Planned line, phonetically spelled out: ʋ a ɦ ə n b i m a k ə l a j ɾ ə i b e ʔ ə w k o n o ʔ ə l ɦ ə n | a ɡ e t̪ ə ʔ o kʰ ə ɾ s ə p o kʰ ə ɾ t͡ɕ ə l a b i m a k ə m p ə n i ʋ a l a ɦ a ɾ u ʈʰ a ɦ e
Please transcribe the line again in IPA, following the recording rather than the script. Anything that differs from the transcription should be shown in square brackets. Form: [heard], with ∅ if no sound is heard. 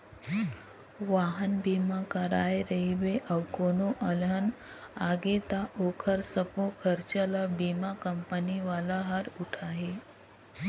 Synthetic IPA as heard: ʋ a ɦ ə n b i m a k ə [ɾ] a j ɾ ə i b e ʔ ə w k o n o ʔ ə l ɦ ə n | a ɡ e t̪ [a] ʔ o kʰ ə ɾ s ə p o kʰ ə ɾ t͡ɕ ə l a b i m a k ə m p ə n i ʋ a l a ɦ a ɾ u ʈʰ a ɦ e